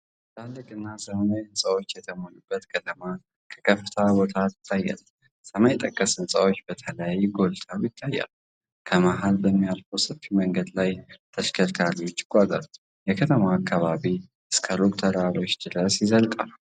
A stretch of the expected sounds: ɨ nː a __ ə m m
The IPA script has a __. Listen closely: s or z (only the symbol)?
s